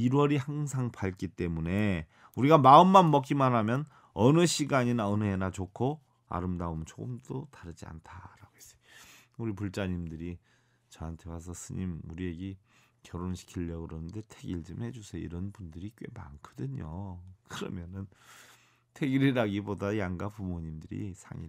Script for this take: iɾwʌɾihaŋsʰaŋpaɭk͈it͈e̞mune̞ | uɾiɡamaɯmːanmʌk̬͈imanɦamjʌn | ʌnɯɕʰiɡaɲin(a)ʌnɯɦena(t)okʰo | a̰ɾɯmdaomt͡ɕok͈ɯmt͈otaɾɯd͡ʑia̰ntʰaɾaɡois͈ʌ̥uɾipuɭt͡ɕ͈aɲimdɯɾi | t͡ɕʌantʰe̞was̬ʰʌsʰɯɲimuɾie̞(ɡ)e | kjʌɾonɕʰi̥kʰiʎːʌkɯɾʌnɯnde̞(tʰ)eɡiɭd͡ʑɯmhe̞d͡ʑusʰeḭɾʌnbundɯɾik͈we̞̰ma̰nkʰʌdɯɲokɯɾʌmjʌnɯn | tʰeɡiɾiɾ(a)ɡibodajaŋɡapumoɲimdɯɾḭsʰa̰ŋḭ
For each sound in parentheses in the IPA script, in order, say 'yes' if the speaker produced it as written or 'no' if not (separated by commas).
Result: yes, no, yes, yes, yes